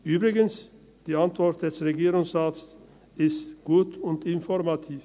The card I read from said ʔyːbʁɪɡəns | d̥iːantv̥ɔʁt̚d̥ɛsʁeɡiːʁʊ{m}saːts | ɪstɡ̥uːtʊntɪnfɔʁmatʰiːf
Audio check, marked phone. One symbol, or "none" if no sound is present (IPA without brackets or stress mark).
ŋ